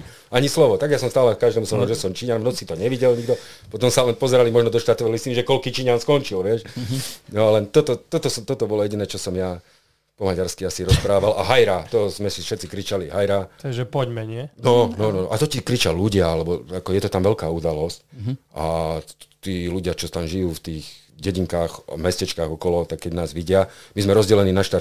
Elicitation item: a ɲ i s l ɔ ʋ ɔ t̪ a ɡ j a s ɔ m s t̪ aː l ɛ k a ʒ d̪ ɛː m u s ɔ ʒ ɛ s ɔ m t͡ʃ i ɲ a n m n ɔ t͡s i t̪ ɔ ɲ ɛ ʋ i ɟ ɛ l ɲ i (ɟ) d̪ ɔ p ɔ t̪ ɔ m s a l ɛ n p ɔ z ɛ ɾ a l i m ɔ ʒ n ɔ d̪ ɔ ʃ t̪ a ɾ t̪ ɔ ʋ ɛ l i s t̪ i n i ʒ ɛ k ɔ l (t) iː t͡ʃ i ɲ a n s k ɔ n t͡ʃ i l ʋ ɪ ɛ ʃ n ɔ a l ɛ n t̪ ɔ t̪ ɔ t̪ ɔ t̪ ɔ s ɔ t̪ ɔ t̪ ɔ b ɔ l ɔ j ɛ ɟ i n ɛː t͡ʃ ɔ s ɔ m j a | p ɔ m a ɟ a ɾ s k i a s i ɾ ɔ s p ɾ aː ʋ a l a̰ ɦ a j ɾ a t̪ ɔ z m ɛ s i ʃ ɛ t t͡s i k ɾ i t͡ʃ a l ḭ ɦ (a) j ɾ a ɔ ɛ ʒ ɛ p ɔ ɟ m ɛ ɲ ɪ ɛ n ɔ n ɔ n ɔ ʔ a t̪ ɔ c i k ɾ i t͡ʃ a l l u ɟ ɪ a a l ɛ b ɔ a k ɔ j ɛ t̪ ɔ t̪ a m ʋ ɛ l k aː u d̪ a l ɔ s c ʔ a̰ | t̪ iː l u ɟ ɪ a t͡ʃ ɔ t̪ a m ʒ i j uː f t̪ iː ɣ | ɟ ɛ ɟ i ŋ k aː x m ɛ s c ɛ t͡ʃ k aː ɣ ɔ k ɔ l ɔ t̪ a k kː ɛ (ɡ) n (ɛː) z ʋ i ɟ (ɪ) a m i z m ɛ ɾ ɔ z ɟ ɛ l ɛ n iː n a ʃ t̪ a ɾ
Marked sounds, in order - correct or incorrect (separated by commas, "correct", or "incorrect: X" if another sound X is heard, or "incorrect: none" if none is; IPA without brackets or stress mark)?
incorrect: ɡ, incorrect: k, correct, incorrect: ɟ, incorrect: aː, correct